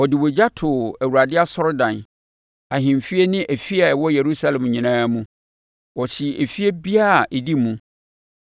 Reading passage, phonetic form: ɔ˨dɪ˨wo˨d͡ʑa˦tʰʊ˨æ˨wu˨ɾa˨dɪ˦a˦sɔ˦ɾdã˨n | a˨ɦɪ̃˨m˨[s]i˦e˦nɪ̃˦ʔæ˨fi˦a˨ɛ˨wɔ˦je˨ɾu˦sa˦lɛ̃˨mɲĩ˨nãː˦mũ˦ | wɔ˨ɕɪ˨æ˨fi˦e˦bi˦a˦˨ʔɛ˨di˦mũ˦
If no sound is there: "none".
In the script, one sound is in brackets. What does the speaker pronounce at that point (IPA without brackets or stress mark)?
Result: f